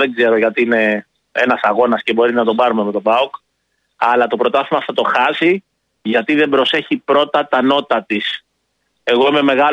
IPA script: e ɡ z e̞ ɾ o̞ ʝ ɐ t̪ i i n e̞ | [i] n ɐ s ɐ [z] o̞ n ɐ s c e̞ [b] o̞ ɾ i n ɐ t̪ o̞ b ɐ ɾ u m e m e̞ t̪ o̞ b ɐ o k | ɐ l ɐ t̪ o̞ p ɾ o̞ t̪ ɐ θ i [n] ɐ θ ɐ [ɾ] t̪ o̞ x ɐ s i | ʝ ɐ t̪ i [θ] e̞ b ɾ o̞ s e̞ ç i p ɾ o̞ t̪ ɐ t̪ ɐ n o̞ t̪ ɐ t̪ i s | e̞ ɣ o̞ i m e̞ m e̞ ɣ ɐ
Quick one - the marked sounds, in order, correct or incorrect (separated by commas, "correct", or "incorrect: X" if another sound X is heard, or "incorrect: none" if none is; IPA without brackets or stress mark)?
incorrect: e, incorrect: ɣ, correct, incorrect: m, incorrect: none, incorrect: ð